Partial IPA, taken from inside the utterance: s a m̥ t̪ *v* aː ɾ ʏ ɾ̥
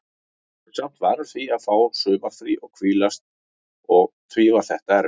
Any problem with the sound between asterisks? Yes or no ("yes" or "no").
no